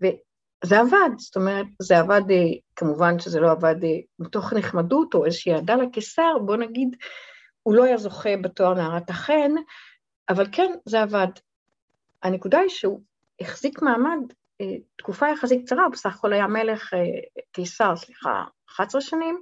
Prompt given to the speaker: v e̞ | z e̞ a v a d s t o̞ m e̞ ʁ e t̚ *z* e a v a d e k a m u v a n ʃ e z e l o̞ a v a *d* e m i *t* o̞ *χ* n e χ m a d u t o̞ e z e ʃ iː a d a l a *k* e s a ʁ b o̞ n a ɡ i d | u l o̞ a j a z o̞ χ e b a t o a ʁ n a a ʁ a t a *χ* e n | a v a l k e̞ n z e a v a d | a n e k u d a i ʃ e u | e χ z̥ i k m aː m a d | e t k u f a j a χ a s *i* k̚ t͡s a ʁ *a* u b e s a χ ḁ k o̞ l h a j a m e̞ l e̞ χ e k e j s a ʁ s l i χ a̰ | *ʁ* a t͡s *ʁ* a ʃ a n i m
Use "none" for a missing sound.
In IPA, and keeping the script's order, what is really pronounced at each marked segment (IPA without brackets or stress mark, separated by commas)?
z, d, t, χ, k, χ, i, a, χ, ʁ